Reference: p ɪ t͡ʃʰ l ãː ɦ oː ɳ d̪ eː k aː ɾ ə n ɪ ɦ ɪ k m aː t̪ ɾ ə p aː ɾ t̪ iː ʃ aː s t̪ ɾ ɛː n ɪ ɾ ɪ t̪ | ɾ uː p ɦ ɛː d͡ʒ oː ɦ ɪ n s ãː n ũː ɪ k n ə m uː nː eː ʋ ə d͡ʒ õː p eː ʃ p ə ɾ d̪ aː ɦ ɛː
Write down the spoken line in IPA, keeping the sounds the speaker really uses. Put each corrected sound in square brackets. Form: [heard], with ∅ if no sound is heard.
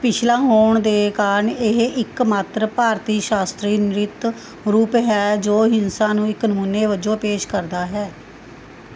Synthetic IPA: p ɪ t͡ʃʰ l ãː ɦ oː ɳ d̪ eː k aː ɾ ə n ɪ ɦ ɪ k m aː t̪ ɾ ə p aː ɾ t̪ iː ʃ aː s t̪ ɾ [iː] n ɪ ɾ ɪ t̪ | ɾ uː p ɦ ɛː d͡ʒ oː ɦ ɪ n s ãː n ũː ɪ k n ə m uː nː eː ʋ ə d͡ʒ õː p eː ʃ [k] ə ɾ d̪ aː ɦ ɛː